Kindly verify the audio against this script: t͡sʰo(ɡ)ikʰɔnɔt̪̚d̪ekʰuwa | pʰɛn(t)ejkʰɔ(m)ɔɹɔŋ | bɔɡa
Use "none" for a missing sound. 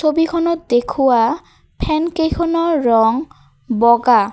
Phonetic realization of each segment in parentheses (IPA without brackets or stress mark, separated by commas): b, k, n